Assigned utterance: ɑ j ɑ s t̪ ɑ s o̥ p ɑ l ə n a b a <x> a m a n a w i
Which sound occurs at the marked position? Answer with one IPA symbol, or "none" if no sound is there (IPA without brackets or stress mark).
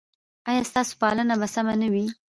s